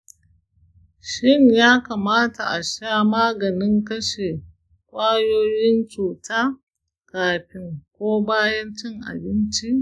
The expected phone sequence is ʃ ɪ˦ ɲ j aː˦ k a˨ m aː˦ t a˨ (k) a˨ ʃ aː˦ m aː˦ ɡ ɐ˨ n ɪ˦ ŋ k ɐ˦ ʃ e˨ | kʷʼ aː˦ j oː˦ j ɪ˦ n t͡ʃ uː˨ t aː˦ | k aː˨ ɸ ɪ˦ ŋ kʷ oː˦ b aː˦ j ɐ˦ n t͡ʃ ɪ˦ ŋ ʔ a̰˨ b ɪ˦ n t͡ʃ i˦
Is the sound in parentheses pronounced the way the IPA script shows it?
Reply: no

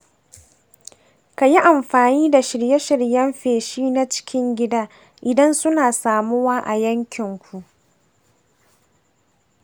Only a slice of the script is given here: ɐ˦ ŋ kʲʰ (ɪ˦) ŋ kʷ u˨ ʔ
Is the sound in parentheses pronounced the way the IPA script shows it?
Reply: no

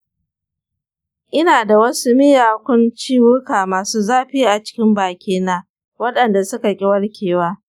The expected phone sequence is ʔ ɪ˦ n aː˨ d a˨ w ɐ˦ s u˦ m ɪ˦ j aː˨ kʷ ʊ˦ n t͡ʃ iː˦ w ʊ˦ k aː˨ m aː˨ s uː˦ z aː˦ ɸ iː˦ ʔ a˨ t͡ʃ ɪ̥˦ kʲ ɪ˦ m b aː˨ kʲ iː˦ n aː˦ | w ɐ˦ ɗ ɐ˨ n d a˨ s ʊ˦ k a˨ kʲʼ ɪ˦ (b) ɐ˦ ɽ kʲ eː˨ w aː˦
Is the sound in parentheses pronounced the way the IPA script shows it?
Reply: no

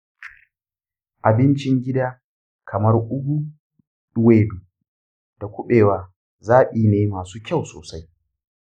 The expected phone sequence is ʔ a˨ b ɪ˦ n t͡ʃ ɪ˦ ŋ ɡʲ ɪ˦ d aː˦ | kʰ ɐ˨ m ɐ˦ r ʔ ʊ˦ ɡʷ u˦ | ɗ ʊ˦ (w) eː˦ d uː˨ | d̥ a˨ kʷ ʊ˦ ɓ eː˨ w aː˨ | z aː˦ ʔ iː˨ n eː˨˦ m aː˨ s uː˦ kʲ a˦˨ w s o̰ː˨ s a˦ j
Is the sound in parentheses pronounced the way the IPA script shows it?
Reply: yes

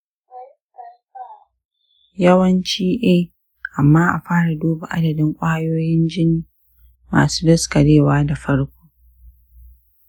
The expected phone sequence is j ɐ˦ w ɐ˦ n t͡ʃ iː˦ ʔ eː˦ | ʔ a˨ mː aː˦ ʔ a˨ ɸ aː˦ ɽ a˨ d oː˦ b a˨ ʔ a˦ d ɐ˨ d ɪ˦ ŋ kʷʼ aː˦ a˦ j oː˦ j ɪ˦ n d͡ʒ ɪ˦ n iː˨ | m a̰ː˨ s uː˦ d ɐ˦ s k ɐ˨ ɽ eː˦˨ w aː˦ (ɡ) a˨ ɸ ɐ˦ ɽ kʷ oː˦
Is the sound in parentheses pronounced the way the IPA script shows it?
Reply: no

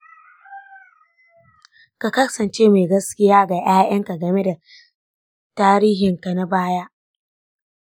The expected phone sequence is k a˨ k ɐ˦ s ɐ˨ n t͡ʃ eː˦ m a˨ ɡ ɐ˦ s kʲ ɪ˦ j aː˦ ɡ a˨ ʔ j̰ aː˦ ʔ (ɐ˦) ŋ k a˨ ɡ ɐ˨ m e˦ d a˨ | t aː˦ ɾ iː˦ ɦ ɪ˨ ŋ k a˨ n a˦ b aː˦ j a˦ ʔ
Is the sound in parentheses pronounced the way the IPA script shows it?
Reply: yes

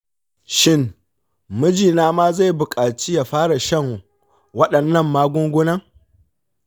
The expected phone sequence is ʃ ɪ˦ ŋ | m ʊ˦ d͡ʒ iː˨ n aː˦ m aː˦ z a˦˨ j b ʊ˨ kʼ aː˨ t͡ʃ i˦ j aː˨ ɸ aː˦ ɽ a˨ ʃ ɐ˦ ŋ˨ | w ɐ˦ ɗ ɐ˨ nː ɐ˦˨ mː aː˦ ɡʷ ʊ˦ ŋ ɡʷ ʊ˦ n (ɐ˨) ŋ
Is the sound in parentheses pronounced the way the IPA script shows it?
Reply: no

